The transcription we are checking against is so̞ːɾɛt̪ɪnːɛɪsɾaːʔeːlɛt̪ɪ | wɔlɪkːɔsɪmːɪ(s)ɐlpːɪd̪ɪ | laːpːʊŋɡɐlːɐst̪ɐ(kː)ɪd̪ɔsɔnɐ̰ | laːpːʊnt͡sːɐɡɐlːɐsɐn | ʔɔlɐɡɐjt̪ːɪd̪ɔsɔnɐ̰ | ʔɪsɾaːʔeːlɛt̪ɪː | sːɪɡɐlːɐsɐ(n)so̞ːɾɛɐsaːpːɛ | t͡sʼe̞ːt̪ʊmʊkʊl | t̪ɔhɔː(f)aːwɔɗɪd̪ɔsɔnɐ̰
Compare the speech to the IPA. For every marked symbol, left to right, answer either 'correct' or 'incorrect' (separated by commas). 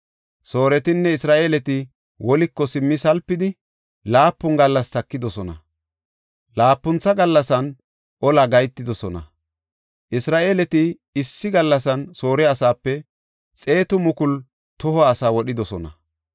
correct, correct, correct, incorrect